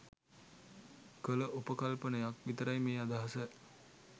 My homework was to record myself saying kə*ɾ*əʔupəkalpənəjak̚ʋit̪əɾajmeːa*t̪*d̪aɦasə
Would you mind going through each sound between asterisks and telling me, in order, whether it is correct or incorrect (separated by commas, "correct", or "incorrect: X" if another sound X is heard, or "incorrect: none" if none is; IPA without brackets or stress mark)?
incorrect: l, incorrect: none